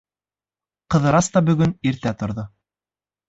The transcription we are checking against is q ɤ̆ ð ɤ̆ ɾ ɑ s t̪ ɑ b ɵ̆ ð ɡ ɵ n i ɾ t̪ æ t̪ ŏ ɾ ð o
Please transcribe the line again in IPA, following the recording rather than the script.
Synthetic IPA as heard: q ɤ̆ ð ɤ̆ ɾ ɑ s t̪ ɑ b ɵ̆ ɡ ɵ n i ɾ t̪ æ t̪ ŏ ɾ ð o